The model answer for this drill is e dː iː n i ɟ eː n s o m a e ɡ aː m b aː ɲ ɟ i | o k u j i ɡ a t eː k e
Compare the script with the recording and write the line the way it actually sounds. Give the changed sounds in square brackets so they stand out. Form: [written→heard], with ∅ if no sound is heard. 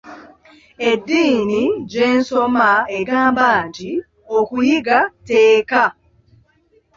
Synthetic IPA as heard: e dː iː n i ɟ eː n s o m a e ɡ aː m b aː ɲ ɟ i | o k u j i ɡ a t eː k [e→a]